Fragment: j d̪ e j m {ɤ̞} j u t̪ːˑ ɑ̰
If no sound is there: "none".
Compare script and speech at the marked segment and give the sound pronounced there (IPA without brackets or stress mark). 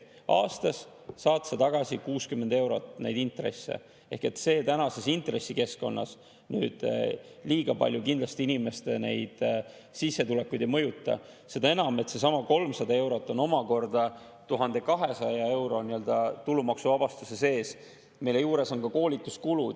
ɤ̞